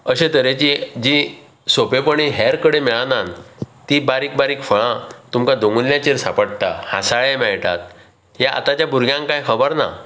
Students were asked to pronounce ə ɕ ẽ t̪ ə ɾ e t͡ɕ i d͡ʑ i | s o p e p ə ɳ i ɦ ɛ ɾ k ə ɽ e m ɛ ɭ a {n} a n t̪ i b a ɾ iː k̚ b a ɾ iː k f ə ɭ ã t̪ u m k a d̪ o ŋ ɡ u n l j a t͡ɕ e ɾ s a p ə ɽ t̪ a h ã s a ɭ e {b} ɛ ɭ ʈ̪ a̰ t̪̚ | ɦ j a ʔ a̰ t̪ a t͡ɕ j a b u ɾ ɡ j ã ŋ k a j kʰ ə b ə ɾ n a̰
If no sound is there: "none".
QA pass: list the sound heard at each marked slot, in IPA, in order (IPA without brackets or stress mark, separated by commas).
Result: n, m